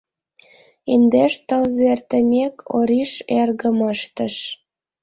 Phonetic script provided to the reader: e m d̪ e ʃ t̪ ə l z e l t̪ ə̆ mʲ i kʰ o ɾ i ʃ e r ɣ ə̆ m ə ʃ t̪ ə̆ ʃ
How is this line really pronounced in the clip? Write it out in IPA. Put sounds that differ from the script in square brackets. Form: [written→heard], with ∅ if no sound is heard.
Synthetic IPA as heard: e [m→n] d̪ e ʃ t̪ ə l z e [l→r] t̪ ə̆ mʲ [i→e] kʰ o ɾ i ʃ e r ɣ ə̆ m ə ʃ t̪ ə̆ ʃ

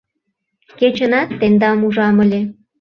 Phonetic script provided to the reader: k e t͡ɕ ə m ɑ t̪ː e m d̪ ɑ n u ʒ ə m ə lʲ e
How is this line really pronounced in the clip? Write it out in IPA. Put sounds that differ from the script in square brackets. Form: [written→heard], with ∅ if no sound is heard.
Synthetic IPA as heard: k e t͡ɕ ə [m→n] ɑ t̪ː e [m→n] d̪ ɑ [n→m] u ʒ [ə→ɑ] m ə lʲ e

